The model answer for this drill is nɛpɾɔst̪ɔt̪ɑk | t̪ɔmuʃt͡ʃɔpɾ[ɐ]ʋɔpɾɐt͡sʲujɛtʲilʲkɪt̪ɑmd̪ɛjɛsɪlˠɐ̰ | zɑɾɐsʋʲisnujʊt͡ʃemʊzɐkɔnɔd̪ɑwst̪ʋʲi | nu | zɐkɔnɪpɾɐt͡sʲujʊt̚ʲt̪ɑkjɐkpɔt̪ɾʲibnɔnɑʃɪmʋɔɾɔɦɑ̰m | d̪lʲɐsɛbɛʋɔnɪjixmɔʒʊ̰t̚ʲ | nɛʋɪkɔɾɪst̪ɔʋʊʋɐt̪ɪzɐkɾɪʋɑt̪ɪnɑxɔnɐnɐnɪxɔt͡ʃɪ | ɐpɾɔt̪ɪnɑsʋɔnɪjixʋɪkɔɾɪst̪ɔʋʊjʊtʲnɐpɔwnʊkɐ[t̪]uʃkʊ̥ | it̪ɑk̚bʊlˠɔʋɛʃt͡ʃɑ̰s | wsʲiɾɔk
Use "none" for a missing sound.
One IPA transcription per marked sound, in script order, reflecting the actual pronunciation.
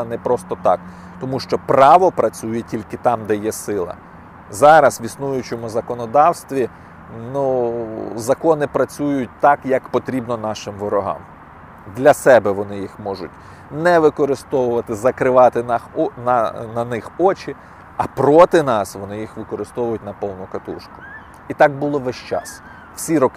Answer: ɑ, t̪

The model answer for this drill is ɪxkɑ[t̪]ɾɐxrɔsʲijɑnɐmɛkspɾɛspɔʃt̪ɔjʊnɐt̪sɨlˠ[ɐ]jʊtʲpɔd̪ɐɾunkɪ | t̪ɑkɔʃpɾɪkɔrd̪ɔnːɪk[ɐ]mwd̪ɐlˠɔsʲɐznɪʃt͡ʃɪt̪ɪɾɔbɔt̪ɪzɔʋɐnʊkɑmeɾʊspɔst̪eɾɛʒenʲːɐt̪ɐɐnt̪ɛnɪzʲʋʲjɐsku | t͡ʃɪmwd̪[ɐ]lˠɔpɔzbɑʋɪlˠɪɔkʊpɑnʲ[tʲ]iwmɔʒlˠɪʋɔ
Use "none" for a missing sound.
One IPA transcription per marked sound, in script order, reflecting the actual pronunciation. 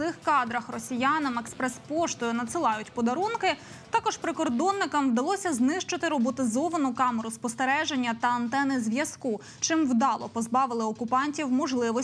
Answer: d̪, ɑ, ɐ, ɑ, tʲ

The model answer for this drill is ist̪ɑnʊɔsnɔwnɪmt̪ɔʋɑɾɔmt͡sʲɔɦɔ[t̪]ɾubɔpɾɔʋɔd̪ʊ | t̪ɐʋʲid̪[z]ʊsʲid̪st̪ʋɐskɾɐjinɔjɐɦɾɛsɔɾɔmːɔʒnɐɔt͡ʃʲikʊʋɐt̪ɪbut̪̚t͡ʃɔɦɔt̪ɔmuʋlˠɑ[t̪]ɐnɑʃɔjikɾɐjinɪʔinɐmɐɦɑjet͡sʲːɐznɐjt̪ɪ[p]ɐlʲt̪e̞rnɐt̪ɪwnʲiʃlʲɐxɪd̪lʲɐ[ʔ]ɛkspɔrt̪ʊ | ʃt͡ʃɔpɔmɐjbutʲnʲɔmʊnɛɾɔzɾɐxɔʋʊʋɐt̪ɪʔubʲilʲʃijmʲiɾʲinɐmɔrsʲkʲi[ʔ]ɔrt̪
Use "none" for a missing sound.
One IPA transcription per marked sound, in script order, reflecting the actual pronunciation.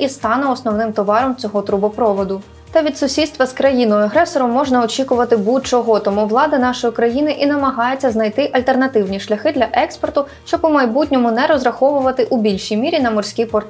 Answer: t̪, s, d̪, ʔ, ʔ, p

